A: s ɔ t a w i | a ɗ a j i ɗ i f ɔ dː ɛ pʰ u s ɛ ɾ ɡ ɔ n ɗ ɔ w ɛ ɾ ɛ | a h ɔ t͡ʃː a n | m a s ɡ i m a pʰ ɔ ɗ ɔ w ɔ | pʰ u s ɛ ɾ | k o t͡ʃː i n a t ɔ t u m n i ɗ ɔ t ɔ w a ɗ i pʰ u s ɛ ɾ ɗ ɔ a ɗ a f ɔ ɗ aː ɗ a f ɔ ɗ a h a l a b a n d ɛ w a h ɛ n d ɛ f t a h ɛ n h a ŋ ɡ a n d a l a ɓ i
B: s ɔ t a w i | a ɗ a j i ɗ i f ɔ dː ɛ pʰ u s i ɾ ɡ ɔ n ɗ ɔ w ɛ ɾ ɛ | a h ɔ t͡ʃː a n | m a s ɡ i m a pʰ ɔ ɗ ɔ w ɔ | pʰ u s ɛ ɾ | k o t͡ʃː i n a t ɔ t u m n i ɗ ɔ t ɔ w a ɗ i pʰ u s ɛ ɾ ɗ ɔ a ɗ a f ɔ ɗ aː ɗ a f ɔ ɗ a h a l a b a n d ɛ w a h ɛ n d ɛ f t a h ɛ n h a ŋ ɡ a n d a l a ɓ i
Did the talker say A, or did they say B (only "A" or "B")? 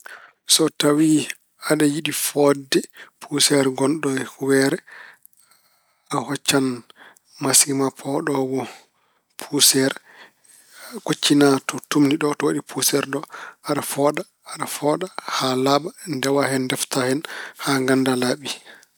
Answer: A